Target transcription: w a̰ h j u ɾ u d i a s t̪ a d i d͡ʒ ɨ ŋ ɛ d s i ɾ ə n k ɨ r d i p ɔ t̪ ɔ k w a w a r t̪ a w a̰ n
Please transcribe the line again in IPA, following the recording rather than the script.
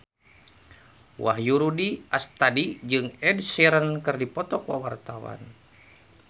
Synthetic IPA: w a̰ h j u ɾ u d i a s t̪ a d i d͡ʒ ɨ ŋ ɛ d s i ɾ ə n k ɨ r d i p ɔ t̪ ɔ k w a w a r t̪ a w a̰ n